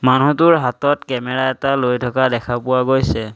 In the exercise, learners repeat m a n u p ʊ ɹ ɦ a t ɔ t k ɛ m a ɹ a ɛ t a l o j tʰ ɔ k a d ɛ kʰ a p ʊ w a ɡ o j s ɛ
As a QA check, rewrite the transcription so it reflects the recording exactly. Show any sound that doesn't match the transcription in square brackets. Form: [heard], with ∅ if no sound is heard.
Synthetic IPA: m a n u [t] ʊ ɹ ɦ a t ɔ t k ɛ m [ɛ] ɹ a ɛ t a l o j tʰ ɔ k a d ɛ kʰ a p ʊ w a ɡ o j s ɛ